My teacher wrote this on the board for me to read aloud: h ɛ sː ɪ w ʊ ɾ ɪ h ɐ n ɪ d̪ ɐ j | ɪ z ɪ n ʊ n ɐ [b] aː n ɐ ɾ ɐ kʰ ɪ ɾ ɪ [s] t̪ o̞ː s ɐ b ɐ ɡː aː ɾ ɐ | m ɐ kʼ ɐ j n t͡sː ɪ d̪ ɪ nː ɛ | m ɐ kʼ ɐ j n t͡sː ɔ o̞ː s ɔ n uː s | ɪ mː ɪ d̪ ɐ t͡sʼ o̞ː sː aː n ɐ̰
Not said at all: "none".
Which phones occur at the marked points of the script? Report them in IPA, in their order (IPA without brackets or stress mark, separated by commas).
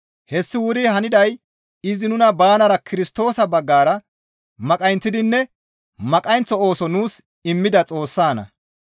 b, s